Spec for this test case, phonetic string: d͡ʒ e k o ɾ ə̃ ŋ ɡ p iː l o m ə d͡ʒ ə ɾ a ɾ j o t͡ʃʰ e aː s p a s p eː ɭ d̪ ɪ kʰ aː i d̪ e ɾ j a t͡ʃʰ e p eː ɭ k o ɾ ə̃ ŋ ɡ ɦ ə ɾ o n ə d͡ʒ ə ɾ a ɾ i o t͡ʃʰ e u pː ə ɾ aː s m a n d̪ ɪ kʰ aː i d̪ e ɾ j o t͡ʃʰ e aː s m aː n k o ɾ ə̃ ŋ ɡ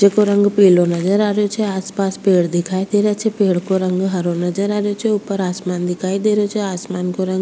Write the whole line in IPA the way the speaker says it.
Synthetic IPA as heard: d͡ʒ e k o ɾ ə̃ ŋ ɡ p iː l o n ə d͡ʒ ə ɾ a ɾ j o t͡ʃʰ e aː s p a s p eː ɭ d̪ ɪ kʰ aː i d̪ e ɾ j a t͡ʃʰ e p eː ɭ k o ɾ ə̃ ŋ ɡ ɦ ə ɾ o n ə d͡ʒ ə ɾ a ɾ j o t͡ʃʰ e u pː ə ɾ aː s m a n d̪ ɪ kʰ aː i d̪ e ɾ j o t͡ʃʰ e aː s m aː n k o ɾ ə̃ ŋ ɡ